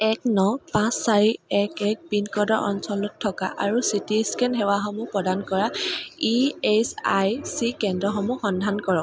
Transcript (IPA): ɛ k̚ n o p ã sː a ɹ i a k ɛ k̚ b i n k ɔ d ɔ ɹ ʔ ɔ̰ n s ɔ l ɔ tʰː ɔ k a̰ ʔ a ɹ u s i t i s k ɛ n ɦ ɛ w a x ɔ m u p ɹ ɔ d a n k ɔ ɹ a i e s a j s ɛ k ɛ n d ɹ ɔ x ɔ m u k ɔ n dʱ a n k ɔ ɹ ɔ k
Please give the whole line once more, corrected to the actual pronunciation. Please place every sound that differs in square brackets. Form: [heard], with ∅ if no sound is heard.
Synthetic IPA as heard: ɛ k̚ n [ɔ] p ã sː a ɹ i [ɛ] k ɛ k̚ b i n k ɔ d ɔ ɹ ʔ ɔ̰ n s ɔ l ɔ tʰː ɔ k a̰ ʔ a ɹ u s i t i s k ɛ n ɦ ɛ w a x ɔ m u p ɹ ɔ d a n k ɔ ɹ a i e s a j s [i] k ɛ n d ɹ ɔ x ɔ m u [x] ɔ n dʱ a n k ɔ ɹ ɔ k

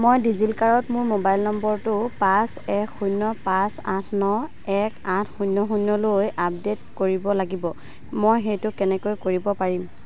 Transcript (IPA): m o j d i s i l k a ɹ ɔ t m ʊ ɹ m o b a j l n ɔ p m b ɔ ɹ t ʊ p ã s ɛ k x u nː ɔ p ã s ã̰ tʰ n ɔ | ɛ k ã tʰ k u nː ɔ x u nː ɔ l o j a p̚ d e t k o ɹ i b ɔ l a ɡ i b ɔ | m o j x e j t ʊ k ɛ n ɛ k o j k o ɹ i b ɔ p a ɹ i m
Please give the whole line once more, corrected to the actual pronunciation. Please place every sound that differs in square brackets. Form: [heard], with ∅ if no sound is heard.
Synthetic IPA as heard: m o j d i [z] i l k a ɹ ɔ t m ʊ ɹ m o b a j l n ɔ [∅] m b ɔ ɹ t ʊ p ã s ɛ k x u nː ɔ p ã s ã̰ tʰ n ɔ | ɛ k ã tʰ [x] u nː ɔ x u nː ɔ l o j a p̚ d e t k o ɹ i b ɔ l a ɡ i b ɔ | m o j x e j t ʊ k ɛ n ɛ k o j k o ɹ i b ɔ p a ɹ i m

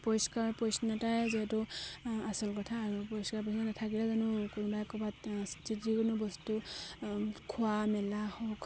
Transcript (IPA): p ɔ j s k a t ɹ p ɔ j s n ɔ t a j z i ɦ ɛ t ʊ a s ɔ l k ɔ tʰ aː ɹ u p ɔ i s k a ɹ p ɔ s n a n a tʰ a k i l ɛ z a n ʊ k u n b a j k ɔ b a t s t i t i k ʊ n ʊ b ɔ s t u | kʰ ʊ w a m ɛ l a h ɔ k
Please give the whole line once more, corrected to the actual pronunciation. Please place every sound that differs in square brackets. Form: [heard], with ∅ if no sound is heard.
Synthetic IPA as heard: p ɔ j s k a [∅] ɹ p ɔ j s n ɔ t a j z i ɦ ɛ t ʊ a s ɔ l k ɔ tʰ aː ɹ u p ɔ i s k a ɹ p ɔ s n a n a tʰ a k i l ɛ z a n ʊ k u n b a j k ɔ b a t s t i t i k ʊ n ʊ b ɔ s t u | kʰ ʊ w a m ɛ l a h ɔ k

